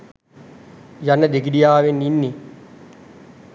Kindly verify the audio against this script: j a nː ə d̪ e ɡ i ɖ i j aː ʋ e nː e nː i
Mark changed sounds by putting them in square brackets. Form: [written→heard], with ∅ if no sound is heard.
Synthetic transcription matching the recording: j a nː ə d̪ e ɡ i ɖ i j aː ʋ e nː [e→i] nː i